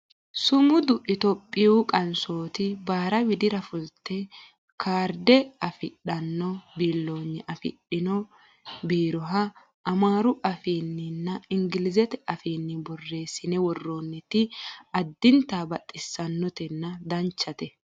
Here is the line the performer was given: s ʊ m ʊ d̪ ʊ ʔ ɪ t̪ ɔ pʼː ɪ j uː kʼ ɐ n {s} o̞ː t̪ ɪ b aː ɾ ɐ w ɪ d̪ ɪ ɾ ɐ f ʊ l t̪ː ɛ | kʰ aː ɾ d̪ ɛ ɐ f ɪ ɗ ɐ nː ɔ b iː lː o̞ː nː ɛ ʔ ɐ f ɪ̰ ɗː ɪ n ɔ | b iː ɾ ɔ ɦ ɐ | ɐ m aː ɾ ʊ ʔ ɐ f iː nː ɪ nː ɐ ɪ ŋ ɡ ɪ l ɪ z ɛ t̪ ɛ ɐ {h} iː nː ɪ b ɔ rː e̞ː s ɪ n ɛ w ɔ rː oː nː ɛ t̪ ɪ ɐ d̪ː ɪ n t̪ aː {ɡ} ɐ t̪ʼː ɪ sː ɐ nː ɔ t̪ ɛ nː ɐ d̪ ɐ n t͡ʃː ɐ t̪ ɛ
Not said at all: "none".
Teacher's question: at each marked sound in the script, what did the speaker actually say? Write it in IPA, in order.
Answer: s, f, b

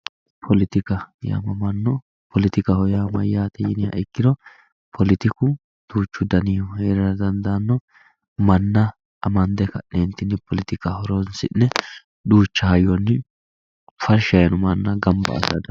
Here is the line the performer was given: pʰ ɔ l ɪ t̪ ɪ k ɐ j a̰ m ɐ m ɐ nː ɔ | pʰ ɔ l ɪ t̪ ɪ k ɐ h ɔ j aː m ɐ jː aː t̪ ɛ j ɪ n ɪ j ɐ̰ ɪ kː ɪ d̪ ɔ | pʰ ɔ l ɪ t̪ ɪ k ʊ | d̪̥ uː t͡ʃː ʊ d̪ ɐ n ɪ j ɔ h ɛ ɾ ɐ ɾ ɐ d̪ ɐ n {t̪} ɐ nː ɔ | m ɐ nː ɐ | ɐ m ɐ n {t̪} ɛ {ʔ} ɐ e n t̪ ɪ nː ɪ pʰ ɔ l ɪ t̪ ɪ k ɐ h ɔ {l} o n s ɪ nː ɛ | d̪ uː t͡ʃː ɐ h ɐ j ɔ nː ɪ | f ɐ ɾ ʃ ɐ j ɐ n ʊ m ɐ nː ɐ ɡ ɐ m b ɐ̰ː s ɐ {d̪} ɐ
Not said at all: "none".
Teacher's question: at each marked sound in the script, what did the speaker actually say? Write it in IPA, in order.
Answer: d̪, d̪, k, ɾ, d̪

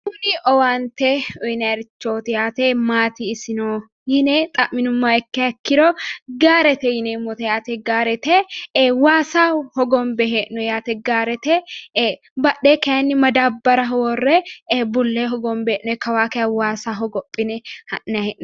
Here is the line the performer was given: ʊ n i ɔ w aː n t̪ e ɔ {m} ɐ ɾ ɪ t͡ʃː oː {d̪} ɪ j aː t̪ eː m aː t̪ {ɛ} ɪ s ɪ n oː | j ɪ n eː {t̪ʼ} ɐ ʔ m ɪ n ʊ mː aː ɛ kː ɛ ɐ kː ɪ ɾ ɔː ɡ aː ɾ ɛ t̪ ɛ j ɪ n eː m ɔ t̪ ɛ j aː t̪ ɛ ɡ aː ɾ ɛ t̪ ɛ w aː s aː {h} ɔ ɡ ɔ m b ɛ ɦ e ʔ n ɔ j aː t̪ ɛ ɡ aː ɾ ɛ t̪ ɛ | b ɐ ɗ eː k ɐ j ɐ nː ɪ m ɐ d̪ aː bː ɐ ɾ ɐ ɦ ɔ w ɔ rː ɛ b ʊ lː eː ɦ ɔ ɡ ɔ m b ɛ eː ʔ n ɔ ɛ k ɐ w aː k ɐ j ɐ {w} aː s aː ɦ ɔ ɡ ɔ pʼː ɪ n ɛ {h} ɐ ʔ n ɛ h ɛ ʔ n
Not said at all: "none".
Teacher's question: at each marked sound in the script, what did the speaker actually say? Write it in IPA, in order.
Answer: n, t̪, i, t̪ʼ, h, w, h

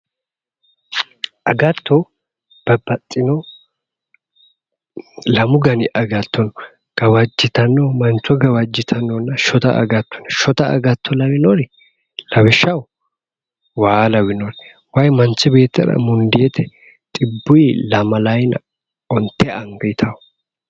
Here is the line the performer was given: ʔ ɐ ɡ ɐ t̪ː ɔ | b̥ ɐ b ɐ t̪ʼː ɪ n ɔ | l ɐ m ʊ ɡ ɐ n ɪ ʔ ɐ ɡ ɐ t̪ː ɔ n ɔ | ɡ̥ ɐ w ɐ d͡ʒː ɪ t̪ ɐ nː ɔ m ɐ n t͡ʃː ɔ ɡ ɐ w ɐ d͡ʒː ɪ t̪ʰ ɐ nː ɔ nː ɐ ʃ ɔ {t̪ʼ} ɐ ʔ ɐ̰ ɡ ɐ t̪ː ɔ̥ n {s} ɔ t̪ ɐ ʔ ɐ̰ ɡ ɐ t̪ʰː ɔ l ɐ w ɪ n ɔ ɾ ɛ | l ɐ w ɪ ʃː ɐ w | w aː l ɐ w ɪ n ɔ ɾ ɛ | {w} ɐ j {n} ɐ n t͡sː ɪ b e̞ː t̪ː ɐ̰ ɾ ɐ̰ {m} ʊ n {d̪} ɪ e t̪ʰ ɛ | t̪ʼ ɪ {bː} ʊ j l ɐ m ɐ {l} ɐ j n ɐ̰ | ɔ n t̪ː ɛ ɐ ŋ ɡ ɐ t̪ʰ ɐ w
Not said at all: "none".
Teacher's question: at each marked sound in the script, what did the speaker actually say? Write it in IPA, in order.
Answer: t̪, ʃ, w, m, m, d̪, bː, l

